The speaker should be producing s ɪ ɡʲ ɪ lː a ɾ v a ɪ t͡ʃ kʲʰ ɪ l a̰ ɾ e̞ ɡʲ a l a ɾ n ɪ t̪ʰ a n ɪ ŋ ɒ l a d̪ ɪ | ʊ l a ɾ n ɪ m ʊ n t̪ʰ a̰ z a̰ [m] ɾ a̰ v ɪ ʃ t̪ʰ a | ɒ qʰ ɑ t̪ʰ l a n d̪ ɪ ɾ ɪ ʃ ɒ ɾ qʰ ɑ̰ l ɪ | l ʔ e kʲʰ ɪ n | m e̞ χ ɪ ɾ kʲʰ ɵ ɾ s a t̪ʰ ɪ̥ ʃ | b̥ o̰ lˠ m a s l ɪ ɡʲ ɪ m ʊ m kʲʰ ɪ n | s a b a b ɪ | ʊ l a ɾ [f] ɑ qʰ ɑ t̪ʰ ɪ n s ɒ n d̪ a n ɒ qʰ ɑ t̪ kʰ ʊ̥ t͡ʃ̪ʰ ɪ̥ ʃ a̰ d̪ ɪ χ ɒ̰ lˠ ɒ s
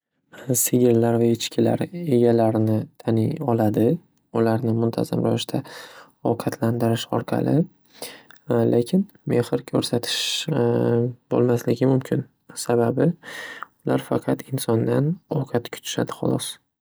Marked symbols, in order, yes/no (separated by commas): yes, yes